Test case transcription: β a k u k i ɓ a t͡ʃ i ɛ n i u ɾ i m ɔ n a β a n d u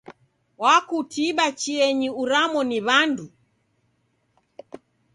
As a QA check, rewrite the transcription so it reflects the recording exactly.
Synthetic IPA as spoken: w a k u t i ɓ a t͡ʃ i ɛ ɲ i u ɾ a m ɔ n i β a n d u